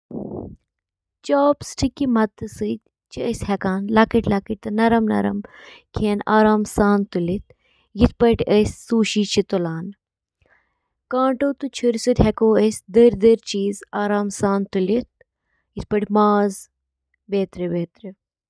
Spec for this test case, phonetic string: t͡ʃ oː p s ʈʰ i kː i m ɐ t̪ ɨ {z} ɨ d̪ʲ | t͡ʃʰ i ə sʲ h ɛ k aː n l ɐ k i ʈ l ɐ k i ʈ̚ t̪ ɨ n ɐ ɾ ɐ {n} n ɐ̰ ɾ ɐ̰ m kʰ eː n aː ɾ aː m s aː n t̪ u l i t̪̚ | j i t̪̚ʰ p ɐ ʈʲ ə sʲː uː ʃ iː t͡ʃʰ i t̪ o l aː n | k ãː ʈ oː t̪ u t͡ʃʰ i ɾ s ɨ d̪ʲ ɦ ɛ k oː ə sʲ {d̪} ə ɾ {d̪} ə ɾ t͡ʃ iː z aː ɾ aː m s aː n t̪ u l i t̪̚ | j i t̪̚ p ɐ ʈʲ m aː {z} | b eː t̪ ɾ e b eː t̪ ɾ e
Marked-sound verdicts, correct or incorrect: incorrect: s, incorrect: m, correct, correct, correct

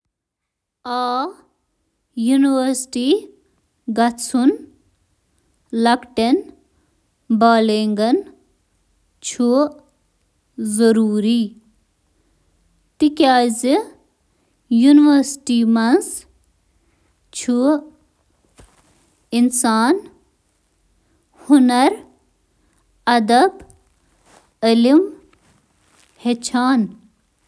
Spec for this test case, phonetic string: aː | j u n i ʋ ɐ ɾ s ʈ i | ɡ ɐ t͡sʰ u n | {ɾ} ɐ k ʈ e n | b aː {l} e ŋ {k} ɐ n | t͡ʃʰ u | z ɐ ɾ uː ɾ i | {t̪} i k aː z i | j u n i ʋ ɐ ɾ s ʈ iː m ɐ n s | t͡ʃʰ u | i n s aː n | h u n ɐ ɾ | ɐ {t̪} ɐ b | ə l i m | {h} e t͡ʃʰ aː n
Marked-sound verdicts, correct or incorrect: incorrect: l, correct, incorrect: ɡ, correct, incorrect: d̪, correct

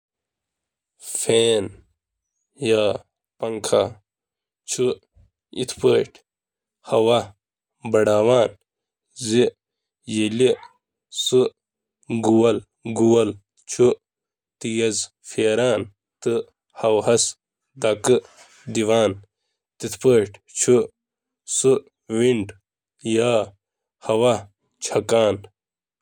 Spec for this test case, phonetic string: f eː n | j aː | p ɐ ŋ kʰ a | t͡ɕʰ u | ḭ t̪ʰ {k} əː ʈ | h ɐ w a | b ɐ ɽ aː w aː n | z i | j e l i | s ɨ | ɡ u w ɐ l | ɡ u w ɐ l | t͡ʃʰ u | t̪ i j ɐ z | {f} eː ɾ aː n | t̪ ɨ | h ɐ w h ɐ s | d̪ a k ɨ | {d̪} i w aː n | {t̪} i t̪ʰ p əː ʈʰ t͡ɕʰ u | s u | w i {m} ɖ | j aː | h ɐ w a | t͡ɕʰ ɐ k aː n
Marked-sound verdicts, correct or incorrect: incorrect: p, correct, correct, correct, incorrect: ɳ

